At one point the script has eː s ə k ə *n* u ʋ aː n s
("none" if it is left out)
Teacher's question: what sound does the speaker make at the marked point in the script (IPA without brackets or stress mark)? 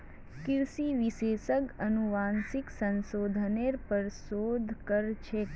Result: n